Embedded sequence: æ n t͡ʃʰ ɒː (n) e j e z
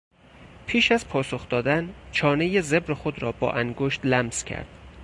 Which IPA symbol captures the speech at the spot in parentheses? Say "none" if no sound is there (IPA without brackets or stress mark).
n